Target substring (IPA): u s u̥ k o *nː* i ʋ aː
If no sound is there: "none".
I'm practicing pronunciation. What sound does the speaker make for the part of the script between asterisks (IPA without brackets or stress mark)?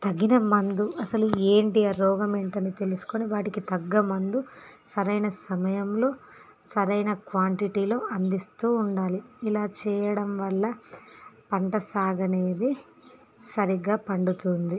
n